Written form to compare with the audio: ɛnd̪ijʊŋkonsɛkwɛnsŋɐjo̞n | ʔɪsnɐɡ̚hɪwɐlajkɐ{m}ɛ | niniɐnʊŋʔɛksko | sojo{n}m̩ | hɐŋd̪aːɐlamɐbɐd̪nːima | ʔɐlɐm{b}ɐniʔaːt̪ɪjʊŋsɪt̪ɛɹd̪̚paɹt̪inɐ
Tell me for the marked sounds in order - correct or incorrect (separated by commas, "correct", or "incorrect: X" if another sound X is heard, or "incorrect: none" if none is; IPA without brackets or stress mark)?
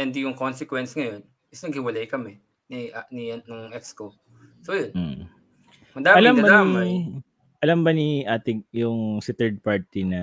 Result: correct, correct, correct